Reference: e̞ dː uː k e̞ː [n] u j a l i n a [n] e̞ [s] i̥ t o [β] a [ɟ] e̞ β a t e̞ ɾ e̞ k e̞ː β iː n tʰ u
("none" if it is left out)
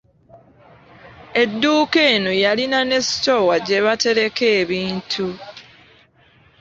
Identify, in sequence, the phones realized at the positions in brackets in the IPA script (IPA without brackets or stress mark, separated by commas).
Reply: n, n, s, w, ɟ